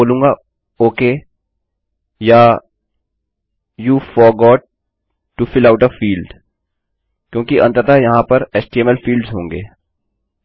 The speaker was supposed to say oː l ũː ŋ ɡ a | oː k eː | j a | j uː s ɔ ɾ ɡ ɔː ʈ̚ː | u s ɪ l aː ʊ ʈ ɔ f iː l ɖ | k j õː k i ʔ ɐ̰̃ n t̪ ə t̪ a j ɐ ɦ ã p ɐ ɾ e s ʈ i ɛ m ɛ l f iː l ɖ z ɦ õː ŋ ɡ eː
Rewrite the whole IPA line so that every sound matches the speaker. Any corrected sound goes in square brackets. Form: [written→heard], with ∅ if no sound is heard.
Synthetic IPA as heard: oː l ũː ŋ ɡ a | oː k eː | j a | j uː [s→f] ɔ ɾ ɡ ɔː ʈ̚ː | u [s→f] ɪ l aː ʊ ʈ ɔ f iː l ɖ | k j õː k i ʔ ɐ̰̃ n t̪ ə t̪ a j ɐ ɦ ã p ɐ ɾ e s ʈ i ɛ m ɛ l f iː l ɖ z ɦ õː ŋ ɡ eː